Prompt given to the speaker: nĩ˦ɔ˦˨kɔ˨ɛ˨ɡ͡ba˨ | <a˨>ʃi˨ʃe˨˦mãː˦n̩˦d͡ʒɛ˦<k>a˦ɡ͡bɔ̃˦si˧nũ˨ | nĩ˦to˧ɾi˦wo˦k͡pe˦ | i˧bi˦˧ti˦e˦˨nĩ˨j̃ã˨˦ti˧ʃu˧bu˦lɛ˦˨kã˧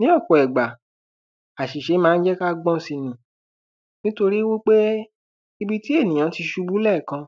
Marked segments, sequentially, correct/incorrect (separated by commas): correct, correct